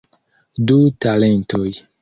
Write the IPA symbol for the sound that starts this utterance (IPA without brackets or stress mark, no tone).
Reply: d